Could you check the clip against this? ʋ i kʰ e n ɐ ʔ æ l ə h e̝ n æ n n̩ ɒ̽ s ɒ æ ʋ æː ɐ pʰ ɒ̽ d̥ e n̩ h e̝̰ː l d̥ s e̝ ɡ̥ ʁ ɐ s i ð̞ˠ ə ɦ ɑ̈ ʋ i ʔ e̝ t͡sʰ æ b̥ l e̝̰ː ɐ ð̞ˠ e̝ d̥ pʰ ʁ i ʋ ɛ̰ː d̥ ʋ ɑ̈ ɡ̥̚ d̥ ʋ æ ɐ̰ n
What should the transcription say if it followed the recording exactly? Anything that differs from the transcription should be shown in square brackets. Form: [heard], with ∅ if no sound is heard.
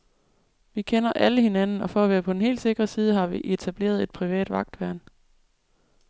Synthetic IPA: ʋ i kʰ e n ɐ ʔ æ l ə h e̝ n æ n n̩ ɒ̽ [f] ɒ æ ʋ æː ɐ pʰ ɒ̽ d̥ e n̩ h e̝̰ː l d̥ s e̝ ɡ̥ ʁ ɐ s [iː] ð̞ˠ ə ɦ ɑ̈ ʋ i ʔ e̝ t͡sʰ æ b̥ l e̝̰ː ɐ ð̞ˠ e̝ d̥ pʰ ʁ i ʋ ɛ̰ː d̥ ʋ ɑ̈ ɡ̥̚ d̥ ʋ æ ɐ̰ n